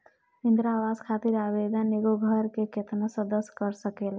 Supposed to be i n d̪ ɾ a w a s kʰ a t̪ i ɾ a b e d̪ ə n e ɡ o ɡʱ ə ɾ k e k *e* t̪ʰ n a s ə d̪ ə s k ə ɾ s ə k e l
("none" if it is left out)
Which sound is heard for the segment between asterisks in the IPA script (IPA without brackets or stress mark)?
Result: e